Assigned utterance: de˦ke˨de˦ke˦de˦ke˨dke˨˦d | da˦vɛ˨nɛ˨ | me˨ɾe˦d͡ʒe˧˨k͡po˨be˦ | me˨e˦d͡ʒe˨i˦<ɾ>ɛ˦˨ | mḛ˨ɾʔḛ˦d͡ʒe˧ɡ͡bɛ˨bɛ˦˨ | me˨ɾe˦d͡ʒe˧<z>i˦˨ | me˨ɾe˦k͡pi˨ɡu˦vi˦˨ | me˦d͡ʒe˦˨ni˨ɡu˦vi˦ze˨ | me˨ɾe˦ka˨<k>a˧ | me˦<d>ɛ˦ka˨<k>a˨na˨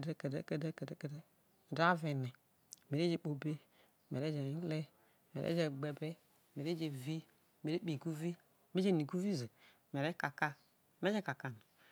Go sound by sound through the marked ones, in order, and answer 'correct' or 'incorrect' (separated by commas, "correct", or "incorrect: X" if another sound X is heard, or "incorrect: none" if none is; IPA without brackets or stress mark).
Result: incorrect: l, incorrect: v, correct, incorrect: d͡ʒ, correct